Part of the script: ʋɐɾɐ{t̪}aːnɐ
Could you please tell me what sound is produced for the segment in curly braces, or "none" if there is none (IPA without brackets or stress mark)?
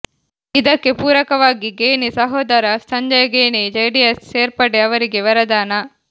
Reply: d̪